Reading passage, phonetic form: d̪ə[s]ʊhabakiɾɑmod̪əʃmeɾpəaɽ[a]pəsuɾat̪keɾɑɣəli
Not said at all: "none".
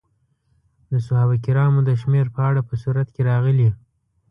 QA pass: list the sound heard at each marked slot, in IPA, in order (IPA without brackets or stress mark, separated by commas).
s, a